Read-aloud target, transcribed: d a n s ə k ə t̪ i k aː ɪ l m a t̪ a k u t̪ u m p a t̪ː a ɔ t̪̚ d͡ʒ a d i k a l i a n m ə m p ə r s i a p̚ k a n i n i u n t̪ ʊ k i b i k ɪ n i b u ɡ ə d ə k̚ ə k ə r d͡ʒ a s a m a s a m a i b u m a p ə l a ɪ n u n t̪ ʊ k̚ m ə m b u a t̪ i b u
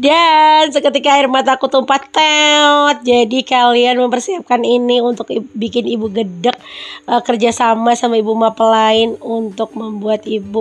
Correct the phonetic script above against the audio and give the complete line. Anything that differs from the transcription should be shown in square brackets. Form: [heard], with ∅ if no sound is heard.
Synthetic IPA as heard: d a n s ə k ə t̪ i k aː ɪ [r] m a t̪ a k u t̪ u m p a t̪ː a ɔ t̪̚ d͡ʒ a d i k a l i a n m ə m p ə r s i a p̚ k a n i n i u n t̪ ʊ k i b i k ɪ n i b u ɡ ə d ə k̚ ə k ə r d͡ʒ a s a m a s a m a i b u m a p ə l a ɪ n u n t̪ ʊ k̚ m ə m b u a t̪ i b u